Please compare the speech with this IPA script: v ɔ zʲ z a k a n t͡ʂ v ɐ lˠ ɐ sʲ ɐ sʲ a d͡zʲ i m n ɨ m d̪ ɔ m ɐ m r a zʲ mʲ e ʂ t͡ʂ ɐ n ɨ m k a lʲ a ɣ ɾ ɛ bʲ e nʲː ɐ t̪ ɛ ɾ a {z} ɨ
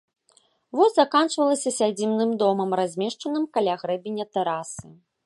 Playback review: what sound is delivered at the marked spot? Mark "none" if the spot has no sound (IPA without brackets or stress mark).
s